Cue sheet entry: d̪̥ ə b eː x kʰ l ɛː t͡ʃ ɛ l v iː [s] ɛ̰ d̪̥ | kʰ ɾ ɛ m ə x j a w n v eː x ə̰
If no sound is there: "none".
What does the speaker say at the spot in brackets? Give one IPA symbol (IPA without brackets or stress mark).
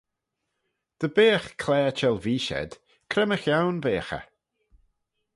ʃ